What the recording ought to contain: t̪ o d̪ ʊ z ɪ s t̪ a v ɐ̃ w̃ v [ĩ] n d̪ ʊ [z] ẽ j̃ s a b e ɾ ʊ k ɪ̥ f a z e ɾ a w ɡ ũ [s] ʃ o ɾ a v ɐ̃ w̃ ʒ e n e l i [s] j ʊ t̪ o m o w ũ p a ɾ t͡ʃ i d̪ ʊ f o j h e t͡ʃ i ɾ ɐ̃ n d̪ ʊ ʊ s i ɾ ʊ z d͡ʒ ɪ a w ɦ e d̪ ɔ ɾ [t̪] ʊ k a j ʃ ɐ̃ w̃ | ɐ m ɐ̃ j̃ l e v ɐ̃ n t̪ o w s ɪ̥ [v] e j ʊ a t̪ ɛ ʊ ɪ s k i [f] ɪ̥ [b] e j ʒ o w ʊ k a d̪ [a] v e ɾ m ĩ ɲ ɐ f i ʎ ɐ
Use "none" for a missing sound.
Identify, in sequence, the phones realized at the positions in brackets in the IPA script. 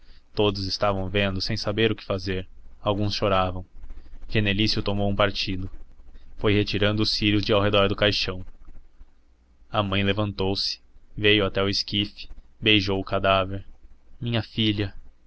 ẽ, s, s, s, d̪, v, f, b, a

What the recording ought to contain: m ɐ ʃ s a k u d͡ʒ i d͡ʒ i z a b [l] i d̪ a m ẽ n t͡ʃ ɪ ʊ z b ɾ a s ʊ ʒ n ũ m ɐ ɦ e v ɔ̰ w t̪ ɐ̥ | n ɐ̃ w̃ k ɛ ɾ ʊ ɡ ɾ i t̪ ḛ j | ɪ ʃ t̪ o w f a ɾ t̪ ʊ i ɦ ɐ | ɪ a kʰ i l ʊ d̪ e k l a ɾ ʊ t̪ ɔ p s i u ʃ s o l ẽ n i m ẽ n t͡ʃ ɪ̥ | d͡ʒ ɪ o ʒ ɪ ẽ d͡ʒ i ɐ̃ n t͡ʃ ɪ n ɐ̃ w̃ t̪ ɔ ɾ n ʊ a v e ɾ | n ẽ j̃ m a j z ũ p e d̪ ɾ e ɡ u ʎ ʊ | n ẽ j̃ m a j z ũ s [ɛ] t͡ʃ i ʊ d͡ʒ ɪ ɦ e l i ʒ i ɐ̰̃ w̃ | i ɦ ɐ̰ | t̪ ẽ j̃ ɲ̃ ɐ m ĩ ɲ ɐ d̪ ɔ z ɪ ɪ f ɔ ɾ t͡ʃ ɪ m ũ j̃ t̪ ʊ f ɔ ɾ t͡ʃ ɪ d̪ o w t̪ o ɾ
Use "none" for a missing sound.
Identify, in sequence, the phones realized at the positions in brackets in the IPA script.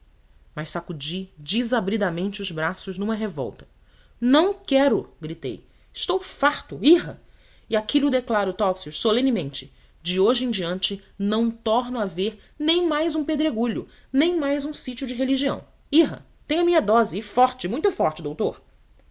ɾ, i

